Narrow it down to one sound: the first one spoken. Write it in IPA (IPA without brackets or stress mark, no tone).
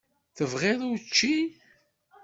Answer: θ